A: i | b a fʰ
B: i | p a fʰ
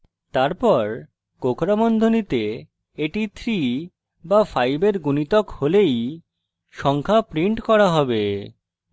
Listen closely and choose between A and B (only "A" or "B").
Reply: A